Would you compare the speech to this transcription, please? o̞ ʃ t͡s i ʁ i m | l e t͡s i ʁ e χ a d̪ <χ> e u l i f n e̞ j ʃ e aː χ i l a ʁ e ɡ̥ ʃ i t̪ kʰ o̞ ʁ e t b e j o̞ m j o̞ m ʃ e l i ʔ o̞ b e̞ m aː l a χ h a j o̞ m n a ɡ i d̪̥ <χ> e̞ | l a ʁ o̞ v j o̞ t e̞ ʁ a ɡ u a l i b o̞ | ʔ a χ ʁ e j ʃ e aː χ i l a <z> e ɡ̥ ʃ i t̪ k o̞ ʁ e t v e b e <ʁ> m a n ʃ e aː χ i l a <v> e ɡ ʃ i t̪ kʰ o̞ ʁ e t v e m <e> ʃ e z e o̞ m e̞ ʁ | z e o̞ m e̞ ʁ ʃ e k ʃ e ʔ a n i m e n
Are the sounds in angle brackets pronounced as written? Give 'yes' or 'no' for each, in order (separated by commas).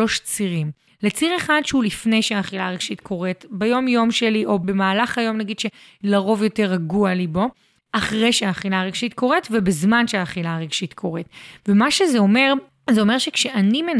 no, no, no, no, no, no